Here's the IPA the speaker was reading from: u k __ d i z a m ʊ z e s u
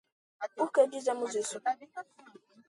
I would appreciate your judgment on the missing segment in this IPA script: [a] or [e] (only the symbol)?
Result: e